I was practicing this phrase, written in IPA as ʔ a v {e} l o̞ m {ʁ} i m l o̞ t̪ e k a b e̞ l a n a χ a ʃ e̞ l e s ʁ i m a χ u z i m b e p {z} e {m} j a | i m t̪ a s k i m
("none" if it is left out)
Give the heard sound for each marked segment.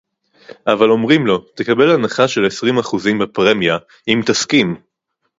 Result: a, ʁ, ʁ, m

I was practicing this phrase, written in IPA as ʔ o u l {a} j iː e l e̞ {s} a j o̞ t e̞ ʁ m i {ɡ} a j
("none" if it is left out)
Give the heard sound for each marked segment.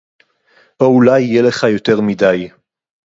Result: a, χ, d

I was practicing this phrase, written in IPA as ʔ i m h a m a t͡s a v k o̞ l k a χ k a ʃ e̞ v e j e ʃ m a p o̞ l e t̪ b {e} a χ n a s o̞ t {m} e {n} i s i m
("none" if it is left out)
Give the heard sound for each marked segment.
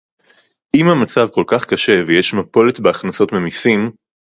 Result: e, m, m

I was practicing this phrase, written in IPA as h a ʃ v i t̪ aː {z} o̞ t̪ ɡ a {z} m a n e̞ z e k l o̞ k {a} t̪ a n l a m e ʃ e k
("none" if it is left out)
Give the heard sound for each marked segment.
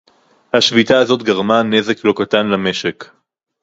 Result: z, ʁ, a

